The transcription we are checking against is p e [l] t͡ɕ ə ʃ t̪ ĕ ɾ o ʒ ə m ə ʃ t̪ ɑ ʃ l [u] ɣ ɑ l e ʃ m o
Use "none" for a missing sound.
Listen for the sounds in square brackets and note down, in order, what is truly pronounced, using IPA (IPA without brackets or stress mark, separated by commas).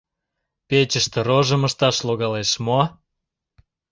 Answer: none, o